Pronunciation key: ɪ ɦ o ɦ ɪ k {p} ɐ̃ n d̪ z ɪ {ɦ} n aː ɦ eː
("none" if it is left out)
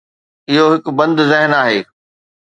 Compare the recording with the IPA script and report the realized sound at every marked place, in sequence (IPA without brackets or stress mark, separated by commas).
b, ɦ